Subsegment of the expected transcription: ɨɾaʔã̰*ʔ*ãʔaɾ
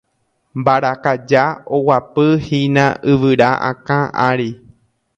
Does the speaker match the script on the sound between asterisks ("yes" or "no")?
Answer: no